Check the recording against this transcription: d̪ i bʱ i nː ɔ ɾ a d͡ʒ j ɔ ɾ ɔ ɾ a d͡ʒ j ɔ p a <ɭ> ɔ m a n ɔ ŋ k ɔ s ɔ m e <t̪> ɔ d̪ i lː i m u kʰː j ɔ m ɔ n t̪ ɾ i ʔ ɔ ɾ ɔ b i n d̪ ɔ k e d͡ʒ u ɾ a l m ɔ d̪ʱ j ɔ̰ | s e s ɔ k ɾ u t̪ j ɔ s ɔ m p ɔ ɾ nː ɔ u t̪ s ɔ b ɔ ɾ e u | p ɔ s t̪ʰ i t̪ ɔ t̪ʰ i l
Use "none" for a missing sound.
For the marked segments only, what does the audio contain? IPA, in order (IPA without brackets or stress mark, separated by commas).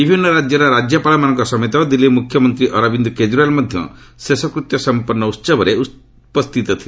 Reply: l, t̪